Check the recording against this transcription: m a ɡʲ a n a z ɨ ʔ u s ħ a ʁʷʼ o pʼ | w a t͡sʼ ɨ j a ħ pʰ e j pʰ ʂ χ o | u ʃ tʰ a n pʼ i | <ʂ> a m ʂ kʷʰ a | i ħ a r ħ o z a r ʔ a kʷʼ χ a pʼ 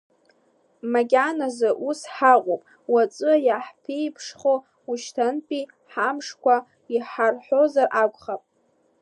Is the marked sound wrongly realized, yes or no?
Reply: yes